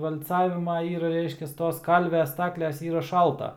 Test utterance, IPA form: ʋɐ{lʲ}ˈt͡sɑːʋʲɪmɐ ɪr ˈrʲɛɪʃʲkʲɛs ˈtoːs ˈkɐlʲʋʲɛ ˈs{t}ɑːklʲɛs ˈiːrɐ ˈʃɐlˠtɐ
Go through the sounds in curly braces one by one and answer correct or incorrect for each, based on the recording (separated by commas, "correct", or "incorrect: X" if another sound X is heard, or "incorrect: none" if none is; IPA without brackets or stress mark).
correct, correct